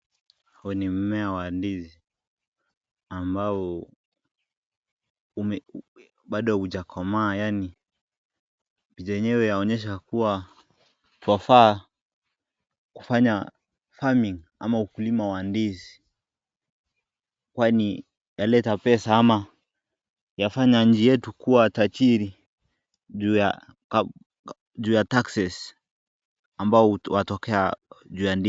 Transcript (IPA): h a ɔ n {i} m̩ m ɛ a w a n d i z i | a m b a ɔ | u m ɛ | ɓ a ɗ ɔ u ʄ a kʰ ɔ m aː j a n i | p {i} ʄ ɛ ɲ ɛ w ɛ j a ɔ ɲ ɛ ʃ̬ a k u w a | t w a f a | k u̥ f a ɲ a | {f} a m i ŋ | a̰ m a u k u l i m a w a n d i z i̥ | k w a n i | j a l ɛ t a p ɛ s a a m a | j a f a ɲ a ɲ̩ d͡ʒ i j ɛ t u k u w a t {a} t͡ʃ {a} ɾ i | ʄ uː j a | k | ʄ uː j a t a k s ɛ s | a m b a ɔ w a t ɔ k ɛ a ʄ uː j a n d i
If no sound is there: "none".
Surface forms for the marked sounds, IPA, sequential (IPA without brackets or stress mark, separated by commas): i, i, f, a, i